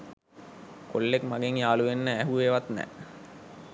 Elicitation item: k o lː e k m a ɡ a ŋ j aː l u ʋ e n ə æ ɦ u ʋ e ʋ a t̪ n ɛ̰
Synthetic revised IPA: k o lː e k m a ɡ e ŋ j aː l u ʋ e nː ə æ ɦ u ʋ e ʋ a t̪ n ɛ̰